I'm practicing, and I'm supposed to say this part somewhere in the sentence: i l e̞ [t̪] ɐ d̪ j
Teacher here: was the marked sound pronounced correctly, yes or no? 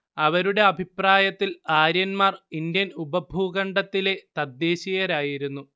yes